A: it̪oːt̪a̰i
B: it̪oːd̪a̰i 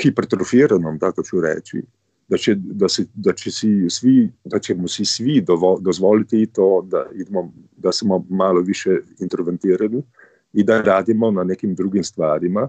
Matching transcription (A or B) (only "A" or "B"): B